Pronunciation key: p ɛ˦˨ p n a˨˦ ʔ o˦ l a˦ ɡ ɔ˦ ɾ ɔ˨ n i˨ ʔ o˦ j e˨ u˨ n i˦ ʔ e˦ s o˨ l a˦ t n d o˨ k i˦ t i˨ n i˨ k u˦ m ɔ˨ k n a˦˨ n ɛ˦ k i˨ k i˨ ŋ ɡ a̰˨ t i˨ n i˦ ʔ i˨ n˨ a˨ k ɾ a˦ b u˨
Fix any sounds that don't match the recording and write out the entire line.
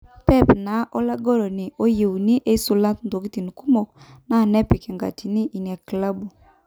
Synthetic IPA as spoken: p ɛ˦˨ p n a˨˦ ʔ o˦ l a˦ ɡ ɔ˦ ɾ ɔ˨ n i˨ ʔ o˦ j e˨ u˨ n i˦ ʔ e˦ s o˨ l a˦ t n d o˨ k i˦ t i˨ n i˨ k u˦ m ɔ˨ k n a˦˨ n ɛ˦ p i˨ k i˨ ŋ ɡ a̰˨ t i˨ n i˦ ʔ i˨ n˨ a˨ k l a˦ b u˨